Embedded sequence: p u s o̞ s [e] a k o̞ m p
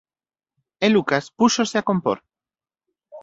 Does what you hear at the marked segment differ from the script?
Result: no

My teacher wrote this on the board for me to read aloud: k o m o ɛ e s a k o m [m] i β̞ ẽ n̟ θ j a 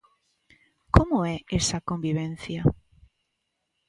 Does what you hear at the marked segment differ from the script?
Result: yes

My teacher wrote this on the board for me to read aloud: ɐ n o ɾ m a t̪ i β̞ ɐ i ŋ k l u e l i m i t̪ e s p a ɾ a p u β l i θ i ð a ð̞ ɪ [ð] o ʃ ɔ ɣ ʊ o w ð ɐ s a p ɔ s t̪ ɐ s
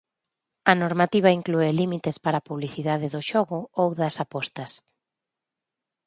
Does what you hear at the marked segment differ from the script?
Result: no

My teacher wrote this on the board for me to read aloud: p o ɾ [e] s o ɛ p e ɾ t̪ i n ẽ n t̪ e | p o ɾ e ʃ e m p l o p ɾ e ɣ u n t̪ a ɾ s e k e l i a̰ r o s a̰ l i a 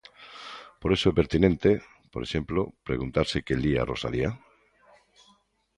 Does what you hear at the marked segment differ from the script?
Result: no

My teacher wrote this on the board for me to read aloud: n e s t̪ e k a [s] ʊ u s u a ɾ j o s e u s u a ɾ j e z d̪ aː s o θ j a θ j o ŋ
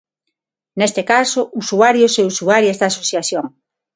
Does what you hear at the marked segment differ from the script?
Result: no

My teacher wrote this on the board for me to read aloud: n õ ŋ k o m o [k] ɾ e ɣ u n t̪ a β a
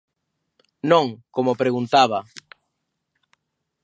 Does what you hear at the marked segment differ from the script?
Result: yes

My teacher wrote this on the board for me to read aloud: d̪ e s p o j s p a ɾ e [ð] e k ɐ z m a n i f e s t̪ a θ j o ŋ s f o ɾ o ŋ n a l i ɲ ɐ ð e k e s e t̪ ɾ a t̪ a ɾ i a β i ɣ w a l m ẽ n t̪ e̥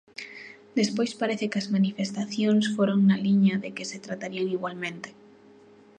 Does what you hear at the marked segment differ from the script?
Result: yes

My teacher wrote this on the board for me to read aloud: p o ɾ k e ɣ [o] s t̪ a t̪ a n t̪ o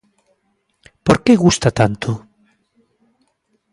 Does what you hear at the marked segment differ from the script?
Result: yes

